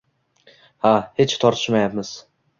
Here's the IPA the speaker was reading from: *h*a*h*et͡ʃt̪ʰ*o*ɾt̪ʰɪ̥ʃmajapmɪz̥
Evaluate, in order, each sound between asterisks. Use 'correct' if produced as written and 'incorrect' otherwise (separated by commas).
correct, correct, incorrect